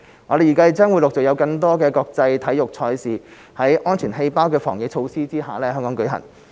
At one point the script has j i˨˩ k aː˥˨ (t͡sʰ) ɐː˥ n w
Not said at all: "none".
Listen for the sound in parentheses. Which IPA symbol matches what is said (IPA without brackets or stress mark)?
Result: t͡s